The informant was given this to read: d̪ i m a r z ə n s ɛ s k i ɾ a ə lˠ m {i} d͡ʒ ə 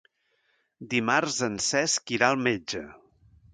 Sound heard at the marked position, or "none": e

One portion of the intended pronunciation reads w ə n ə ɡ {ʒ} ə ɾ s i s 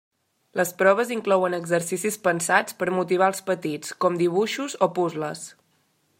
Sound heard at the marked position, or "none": z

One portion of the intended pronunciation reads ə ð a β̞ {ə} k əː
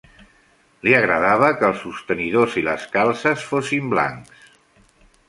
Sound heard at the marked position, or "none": ə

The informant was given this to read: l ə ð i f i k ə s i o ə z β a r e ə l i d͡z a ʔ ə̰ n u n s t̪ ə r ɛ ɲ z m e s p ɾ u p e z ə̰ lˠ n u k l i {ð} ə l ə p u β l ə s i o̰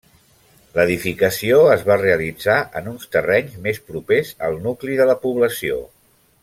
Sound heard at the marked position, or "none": ð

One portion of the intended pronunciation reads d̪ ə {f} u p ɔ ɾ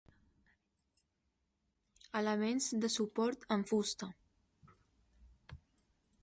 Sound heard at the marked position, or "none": s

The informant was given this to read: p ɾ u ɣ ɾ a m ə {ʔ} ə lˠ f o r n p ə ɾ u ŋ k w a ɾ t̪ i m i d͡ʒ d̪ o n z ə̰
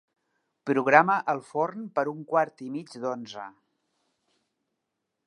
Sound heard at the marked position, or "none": ʔ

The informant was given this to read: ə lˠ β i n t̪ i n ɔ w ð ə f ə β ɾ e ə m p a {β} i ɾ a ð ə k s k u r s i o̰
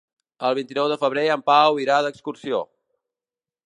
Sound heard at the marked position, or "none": w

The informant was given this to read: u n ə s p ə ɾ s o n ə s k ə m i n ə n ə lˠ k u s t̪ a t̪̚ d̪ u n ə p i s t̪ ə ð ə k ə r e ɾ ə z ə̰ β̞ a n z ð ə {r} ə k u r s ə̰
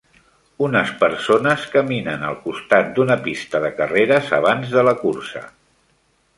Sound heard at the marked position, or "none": l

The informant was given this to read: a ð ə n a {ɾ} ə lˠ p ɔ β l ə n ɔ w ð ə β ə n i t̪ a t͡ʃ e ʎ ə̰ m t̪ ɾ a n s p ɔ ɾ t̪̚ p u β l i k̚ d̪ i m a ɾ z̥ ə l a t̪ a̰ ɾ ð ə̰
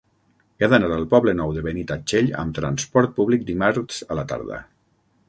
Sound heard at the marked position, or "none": ɾ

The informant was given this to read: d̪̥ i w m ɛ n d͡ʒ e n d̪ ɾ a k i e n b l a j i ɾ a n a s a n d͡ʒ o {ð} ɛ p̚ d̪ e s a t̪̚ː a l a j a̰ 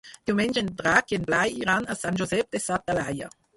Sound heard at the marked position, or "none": z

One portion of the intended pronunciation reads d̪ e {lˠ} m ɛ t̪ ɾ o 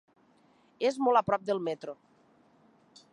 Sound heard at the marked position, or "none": lˠ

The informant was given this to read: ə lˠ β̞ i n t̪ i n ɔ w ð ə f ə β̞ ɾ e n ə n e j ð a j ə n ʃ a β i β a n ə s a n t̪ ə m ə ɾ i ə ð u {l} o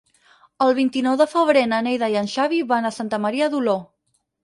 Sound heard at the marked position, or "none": l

